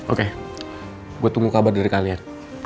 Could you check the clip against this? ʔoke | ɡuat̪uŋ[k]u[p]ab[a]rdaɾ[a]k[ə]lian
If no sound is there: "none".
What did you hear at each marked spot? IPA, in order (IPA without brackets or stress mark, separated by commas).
ɡ, k, a, i, a